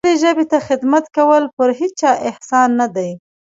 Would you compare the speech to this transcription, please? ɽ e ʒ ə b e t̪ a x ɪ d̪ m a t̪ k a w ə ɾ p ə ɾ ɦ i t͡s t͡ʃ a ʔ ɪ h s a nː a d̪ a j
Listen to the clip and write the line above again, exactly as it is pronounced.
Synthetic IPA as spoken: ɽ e ʒ ə b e t̪ a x ɪ d̪ m a t̪ k a w ə l p ə ɾ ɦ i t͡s t͡ʃ ɑ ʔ ɪ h s ɑ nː a d̪ a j